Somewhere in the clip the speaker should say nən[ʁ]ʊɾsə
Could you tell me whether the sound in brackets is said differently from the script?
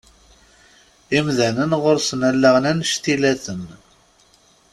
no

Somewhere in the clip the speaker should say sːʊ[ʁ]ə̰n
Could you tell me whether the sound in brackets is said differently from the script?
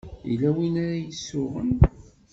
no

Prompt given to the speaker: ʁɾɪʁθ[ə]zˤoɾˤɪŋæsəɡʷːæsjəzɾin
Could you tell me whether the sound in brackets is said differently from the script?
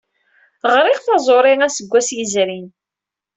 yes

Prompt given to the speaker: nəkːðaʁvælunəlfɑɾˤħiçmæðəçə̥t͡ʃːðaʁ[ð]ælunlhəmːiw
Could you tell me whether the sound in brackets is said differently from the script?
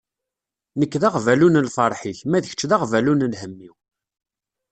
yes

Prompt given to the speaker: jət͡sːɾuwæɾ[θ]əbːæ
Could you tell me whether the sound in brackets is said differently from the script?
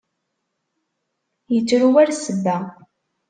yes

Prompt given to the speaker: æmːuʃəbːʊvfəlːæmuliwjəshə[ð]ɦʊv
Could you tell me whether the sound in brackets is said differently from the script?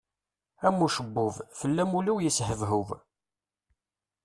yes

